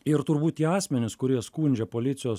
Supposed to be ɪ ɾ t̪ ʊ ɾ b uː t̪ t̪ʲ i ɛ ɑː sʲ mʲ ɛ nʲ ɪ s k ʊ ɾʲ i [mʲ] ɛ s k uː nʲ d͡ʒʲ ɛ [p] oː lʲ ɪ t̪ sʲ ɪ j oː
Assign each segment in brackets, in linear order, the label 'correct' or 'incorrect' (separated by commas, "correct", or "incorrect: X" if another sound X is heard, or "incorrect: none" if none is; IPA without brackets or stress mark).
incorrect: none, correct